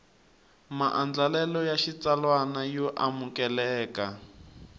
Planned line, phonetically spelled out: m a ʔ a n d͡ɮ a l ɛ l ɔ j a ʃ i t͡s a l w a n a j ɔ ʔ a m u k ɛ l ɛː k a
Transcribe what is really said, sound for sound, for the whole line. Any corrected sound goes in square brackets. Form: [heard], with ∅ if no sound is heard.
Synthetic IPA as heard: m a ʔ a n d͡ɮ a l ɛ l ɔ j a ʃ i t͡s a l w a n a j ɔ ʔ a m u k ɛ l ɛː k a